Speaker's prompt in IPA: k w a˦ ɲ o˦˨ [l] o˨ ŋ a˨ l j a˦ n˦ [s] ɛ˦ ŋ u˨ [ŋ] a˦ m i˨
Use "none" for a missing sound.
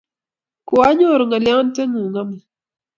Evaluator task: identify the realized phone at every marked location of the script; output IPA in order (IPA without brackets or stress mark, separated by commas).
ɾ, t, ŋ